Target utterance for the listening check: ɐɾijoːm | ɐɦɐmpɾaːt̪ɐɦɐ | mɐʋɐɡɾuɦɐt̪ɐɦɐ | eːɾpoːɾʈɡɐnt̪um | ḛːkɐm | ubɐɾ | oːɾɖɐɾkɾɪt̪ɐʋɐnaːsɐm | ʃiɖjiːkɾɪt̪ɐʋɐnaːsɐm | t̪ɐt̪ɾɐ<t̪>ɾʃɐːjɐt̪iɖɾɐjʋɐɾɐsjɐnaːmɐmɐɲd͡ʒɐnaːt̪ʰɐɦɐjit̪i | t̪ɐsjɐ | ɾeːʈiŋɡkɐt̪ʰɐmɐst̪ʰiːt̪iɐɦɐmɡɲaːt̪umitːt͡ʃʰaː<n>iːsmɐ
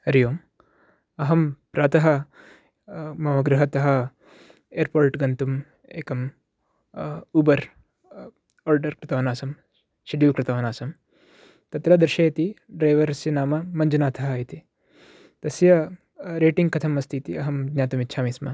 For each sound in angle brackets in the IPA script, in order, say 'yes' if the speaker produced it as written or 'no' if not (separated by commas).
no, no